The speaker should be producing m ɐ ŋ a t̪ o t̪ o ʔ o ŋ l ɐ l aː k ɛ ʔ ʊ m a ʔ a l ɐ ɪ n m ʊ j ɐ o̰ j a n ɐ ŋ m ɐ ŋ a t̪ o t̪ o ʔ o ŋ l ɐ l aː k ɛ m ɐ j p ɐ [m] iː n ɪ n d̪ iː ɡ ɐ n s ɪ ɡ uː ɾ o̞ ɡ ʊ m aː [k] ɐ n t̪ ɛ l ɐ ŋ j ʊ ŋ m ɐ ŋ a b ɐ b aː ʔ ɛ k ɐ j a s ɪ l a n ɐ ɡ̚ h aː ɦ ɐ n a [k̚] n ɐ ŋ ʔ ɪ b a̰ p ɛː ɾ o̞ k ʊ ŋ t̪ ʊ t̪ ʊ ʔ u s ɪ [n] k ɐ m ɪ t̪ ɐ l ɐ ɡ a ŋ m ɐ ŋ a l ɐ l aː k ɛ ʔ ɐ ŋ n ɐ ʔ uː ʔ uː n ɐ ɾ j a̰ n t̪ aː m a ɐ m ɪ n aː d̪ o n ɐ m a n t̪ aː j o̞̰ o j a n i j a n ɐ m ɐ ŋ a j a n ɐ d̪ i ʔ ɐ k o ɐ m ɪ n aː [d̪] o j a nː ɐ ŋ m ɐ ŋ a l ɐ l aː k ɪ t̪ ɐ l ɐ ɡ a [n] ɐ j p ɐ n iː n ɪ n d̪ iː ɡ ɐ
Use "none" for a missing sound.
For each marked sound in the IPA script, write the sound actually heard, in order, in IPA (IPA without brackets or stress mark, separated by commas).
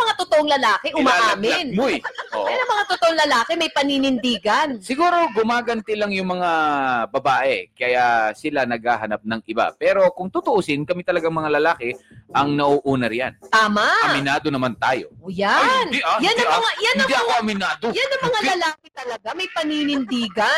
n, ɡ, p̚, n, d̪, m